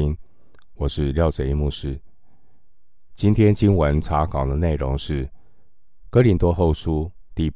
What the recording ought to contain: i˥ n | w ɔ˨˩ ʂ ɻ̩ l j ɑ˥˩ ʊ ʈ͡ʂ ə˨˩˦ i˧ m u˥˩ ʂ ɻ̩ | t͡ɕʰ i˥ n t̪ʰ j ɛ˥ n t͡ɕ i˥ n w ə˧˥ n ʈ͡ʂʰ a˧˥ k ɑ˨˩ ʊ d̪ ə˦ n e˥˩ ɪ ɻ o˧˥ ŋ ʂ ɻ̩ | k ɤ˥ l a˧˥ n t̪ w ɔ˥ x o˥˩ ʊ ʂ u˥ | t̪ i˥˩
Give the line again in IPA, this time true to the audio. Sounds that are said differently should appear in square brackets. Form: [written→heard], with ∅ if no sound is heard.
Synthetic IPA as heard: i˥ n | w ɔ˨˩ ʂ ɻ̩ l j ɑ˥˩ ʊ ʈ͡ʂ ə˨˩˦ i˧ m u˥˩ ʂ ɻ̩ | [t͡ɕʰ→t͡ɕ] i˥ n t̪ʰ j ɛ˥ n t͡ɕ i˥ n w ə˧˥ n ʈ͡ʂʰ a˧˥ k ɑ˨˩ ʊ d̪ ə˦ n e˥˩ ɪ ɻ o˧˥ ŋ ʂ ɻ̩ | k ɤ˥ l [a˧˥→i˧˥] n t̪ w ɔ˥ x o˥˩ ʊ ʂ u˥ | t̪ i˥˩